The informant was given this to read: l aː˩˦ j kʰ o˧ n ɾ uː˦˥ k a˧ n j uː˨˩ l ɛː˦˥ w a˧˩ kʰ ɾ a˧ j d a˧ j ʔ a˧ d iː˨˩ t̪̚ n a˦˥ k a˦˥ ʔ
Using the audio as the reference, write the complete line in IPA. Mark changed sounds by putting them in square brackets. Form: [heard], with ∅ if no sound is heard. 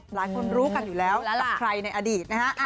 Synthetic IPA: l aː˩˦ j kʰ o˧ n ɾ uː˦˥ k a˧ n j uː˨˩ l ɛː˦˥ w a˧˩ kʰ ɾ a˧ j [n] a˧ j ʔ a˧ d iː˨˩ t̪̚ n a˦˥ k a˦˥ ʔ